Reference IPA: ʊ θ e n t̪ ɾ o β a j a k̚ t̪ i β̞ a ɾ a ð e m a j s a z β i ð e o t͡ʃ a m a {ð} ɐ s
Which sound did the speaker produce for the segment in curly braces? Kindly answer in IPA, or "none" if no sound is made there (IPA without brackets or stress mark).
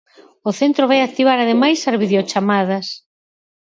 ð